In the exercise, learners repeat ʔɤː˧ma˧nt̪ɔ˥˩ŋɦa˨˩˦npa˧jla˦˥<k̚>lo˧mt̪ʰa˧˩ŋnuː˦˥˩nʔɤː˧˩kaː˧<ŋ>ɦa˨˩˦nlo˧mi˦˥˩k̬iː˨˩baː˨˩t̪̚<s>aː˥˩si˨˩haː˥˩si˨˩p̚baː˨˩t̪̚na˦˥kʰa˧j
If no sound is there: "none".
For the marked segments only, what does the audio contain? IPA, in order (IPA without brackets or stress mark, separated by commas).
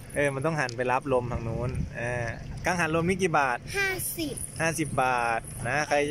p̚, ŋ, h